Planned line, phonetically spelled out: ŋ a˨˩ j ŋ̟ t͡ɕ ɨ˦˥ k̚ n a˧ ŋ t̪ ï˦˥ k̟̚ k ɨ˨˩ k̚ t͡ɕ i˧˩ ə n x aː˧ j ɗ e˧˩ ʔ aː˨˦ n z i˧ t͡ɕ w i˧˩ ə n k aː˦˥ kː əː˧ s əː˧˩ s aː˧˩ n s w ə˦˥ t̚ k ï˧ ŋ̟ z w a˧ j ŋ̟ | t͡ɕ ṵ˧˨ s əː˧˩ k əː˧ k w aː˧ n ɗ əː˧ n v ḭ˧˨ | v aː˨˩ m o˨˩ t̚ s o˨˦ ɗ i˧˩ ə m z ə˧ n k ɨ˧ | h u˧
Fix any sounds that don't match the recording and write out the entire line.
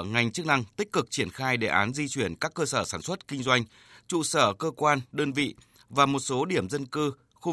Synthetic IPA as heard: ŋ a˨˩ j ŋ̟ t͡ɕ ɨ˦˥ k̚ n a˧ ŋ t̪ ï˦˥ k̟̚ k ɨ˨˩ k̚ t͡ɕ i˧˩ ə n x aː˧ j ɗ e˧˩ ʔ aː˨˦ n z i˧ t͡ɕ w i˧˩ ə n k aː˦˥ kː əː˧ s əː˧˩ s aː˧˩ n s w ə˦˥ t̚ k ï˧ ŋ̟ z w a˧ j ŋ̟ | t͡ɕ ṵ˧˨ s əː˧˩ k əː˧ k w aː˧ n ɗ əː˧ n v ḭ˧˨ | v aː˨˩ m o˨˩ t̚ s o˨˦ ɗ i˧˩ ə m z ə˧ n k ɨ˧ | x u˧